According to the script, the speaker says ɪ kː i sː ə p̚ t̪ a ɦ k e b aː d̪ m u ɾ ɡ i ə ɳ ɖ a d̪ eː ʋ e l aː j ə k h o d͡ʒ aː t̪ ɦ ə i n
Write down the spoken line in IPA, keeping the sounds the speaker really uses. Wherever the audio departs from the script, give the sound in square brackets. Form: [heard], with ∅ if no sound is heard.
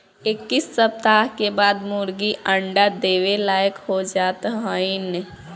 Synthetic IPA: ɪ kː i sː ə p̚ t̪ a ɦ k e b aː d̪ m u ɾ ɡ i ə ɳ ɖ a d̪ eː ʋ e l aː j ə k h o d͡ʒ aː t̪ ɦ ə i n